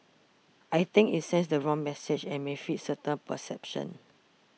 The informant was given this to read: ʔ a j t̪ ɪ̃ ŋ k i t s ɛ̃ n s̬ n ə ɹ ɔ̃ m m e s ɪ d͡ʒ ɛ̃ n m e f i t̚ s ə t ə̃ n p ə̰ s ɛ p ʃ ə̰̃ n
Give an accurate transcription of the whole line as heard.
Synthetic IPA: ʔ a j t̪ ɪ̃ ŋ k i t s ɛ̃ n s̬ d ə ɹ ɔ̃ ŋ m ɛ s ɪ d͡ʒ ɛ̃ n m e f i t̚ s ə t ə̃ n p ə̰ s ɛ p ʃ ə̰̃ n